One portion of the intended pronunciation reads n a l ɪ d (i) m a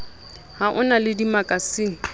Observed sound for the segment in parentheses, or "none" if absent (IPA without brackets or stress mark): i